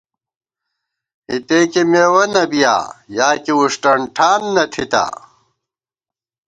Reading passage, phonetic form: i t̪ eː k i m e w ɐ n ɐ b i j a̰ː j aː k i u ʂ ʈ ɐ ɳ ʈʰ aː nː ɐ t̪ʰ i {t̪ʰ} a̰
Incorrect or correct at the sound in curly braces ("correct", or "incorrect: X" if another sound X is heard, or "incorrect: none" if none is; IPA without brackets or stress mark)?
incorrect: t̪